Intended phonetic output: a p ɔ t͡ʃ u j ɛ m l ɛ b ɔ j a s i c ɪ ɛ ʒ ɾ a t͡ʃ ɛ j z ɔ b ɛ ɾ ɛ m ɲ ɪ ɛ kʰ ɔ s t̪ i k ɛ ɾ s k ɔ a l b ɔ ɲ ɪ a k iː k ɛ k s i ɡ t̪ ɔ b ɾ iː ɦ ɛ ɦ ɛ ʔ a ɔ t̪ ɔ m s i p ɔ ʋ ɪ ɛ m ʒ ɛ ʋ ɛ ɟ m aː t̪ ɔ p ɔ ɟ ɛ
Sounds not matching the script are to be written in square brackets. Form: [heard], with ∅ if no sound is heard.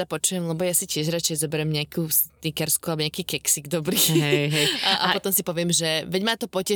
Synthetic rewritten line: a p ɔ t͡ʃ u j ɛ m l ɛ b ɔ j a s i c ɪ ɛ ʒ ɾ a t͡ʃ ɛ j z ɔ b ɛ ɾ ɛ m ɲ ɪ [a] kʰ [u] s t̪ i k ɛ ɾ s k [u] a l b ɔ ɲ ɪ a k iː k ɛ k s i ɡ [d̪] ɔ b ɾ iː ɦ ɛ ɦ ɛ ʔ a ɔ t̪ ɔ m s i p ɔ ʋ ɪ ɛ m ʒ ɛ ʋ ɛ ɟ m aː t̪ ɔ p ɔ [c] ɛ